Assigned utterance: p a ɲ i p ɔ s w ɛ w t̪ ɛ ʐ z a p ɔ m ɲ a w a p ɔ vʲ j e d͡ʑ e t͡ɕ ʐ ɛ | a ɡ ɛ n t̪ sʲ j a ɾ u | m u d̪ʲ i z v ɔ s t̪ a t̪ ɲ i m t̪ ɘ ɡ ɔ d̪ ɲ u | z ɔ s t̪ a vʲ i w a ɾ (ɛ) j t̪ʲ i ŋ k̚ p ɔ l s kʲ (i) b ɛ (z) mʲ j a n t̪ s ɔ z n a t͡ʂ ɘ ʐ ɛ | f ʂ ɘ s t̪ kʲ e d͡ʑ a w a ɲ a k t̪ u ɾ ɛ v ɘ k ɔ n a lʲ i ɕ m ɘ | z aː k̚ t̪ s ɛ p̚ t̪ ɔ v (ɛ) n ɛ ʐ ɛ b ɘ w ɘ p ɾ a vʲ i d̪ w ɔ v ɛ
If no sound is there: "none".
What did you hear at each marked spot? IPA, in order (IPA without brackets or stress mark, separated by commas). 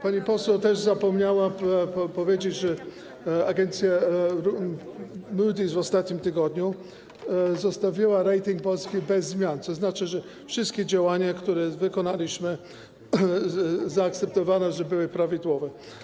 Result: ɛ, i, zː, a